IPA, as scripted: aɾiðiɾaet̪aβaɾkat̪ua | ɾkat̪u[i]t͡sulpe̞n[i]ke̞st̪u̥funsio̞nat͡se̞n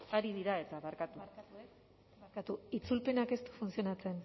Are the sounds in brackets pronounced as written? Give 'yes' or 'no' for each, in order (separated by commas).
yes, no